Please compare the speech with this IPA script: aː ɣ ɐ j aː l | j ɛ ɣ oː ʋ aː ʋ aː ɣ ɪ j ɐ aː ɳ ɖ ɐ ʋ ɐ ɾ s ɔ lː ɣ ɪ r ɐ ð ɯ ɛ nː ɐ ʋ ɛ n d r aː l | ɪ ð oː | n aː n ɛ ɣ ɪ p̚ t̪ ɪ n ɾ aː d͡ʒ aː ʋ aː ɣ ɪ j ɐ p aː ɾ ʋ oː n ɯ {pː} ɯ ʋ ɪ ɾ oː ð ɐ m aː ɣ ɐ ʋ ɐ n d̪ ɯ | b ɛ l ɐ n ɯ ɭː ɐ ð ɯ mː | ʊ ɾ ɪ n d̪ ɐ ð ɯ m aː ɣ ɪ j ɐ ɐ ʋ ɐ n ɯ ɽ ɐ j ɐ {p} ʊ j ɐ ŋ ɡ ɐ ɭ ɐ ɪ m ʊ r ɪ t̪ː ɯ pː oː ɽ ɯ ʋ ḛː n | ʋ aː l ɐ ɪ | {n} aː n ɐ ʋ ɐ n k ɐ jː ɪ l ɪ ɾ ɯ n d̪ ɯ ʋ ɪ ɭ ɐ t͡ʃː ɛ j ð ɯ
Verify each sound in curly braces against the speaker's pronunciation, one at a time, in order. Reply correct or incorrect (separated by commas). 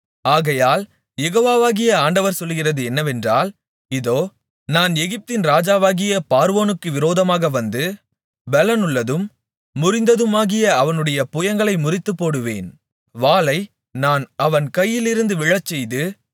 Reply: incorrect, correct, correct